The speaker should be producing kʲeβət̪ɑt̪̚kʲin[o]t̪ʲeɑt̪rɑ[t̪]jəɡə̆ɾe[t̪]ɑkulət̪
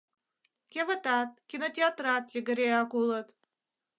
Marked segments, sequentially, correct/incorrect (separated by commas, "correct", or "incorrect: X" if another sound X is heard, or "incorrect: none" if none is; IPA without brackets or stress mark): correct, correct, incorrect: none